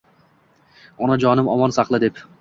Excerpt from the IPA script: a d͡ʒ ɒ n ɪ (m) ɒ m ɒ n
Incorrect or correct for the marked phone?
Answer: correct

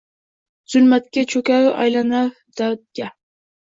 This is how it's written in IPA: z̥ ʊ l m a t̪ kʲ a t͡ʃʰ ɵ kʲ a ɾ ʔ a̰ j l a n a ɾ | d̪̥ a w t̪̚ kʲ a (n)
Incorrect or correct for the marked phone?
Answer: incorrect: none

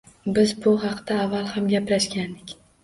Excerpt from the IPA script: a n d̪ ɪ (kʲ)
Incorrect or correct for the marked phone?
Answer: correct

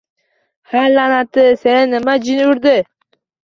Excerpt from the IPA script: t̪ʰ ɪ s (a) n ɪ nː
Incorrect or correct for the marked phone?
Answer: incorrect: e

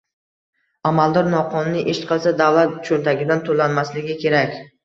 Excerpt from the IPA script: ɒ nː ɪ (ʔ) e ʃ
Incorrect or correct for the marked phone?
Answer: correct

